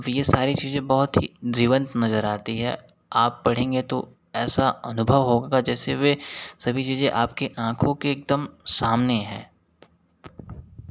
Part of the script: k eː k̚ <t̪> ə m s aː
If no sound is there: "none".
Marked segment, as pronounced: d̪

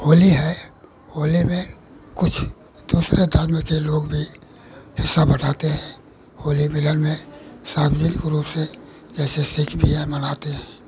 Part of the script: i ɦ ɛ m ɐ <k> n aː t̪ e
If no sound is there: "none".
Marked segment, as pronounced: none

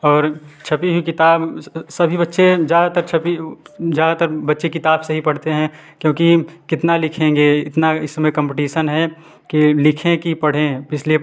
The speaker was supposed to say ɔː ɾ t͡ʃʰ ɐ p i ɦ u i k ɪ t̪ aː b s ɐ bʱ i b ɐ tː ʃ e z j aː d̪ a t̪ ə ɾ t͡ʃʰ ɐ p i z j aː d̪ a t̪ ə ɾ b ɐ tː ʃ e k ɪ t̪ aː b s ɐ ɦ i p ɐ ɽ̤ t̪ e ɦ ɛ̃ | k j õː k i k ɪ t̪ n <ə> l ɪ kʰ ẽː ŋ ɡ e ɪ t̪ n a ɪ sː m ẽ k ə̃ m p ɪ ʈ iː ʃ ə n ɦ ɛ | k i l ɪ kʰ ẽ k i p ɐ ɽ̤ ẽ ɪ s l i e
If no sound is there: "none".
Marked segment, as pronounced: a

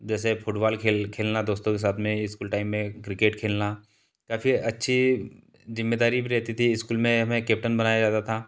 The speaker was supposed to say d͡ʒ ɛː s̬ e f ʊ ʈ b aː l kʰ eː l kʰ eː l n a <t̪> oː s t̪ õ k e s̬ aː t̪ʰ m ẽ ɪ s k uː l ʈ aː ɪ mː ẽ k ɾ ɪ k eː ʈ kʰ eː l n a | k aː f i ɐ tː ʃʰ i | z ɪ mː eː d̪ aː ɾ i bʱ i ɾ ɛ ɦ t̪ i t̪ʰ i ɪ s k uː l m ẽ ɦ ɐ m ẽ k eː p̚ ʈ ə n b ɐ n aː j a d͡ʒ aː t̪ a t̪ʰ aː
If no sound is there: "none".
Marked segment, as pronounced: d̪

